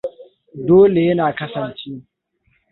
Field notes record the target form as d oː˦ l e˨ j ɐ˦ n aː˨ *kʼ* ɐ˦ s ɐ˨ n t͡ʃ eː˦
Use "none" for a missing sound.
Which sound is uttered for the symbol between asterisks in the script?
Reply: k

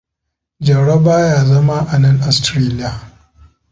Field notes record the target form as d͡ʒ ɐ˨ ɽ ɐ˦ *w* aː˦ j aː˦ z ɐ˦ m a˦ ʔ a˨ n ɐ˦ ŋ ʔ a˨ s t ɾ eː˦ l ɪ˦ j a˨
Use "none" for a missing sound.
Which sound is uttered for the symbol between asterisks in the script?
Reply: b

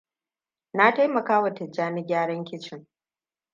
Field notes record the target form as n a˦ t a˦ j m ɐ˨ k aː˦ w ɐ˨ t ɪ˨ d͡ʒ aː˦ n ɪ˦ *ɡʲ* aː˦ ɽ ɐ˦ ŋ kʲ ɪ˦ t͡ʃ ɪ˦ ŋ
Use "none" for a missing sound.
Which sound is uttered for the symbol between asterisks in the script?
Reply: ɡʲ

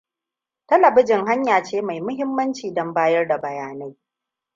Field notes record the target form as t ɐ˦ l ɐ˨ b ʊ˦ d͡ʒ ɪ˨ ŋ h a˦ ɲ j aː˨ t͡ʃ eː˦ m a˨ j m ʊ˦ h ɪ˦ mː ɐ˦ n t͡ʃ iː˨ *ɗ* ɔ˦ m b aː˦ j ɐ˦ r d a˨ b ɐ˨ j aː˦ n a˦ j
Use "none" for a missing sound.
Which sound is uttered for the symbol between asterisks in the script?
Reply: d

